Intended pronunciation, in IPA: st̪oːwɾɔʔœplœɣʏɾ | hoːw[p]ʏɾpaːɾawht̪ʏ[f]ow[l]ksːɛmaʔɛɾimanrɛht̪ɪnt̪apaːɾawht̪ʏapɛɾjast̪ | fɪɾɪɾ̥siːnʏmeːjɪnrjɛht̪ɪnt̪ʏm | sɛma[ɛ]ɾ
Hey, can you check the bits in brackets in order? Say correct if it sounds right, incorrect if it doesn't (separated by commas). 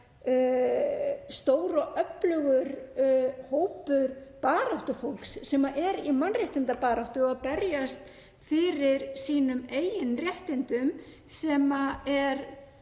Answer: correct, correct, correct, correct